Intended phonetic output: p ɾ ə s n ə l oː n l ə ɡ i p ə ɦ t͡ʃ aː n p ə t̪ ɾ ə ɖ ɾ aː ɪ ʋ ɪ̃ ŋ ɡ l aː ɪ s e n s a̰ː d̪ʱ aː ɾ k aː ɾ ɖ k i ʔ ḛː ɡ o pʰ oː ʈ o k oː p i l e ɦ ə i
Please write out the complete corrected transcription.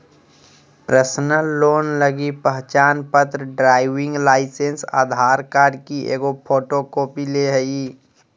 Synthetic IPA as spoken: p ɾ ə s n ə l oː n l ə ɡ i p ə ɦ t͡ʃ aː n p ə t̪ ɾ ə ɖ ɾ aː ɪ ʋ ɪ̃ ŋ ɡ l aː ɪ s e n s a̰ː d̪ʱ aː ɾ k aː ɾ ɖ k i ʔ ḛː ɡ o pʰ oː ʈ o k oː p i l e ɦ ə i